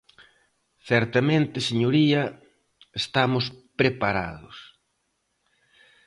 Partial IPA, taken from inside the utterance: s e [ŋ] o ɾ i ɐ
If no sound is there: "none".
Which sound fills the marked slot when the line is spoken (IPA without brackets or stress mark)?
ɲ